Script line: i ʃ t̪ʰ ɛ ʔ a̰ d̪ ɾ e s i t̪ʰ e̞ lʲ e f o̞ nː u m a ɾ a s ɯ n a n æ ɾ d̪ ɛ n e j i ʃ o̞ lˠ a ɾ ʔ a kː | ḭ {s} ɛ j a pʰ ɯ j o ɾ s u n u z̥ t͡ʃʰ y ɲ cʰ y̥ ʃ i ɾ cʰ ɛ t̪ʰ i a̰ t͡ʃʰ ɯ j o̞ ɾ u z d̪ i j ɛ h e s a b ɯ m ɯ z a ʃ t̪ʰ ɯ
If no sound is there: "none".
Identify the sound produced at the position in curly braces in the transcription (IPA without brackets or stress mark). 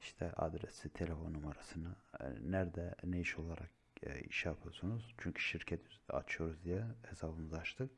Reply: ʃ